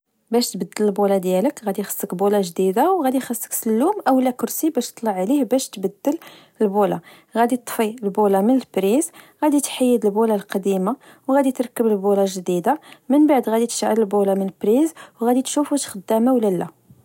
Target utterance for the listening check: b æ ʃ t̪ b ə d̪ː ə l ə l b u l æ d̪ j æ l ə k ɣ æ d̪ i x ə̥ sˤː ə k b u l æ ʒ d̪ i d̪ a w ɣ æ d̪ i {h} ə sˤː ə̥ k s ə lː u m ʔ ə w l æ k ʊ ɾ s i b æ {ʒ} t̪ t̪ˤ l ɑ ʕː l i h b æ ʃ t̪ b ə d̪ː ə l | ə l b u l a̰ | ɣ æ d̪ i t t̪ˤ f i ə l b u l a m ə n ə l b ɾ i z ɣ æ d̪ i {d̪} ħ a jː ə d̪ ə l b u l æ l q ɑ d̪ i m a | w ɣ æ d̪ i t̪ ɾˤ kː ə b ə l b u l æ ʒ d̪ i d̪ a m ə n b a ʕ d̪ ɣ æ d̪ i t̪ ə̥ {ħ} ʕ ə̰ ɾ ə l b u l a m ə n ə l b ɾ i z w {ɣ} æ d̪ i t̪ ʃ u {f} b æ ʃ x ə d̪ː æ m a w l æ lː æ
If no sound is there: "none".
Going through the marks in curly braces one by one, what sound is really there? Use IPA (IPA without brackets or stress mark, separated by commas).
x, ʃ, t̪, ʃ, ɣ, f